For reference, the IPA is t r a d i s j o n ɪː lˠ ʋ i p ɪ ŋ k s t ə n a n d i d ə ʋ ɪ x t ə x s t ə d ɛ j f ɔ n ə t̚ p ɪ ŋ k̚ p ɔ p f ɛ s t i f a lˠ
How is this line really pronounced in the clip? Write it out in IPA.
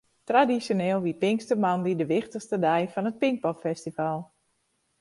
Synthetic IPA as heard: t r a d i s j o n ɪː lˠ ʋ i p ɪ ŋ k s t ə m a n d i d ə ʋ ɪ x t ə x s t ə d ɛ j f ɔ n ə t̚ p ɪ ŋ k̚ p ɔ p f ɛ s t i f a lˠ